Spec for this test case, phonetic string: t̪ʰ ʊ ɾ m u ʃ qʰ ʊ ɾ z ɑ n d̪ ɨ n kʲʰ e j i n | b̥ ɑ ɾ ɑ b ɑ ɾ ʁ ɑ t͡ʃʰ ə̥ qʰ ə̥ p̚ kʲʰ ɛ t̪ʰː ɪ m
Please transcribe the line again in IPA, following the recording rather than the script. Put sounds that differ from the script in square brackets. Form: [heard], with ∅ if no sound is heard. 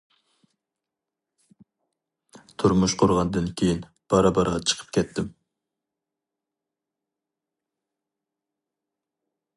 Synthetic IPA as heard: t̪ʰ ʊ ɾ m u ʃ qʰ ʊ ɾ [ʁ] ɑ n d̪ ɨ n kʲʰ e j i n | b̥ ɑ ɾ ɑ b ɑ ɾ ʁ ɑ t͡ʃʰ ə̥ qʰ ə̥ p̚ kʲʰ ɛ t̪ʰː ɪ m